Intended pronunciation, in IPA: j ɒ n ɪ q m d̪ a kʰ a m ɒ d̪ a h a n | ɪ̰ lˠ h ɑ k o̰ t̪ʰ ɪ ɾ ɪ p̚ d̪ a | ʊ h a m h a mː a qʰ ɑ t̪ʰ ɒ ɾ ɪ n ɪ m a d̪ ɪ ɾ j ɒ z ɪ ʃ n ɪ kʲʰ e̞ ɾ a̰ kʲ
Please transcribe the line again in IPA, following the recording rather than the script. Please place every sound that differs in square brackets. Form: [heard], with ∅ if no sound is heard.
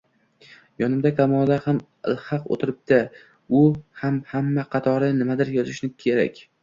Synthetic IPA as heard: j ɒ n ɪ [∅] m d̪ a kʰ a m ɒ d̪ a h a [m] | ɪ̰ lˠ h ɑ [q] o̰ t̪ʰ ɪ ɾ ɪ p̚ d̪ a | ʊ h a m h a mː a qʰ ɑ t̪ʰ ɒ ɾ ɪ n ɪ m a d̪ ɪ ɾ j ɒ z ɪ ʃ n ɪ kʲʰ e̞ ɾ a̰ kʲ